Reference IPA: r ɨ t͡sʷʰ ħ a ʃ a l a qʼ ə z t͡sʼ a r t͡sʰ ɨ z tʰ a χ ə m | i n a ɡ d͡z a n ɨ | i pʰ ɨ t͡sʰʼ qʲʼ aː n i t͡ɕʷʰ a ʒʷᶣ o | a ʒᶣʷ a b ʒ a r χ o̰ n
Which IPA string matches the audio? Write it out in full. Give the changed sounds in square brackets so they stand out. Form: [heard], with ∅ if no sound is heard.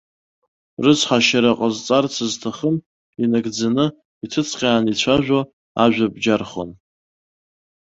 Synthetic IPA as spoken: r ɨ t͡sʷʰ ħ a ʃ a [ɾ] a qʼ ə z t͡sʼ a r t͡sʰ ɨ z tʰ a χ ə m | i n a ɡ d͡z a n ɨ | i [tʰ] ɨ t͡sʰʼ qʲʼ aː n i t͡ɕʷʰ a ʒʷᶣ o | a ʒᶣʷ a b [d͡ʒ] a r χ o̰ n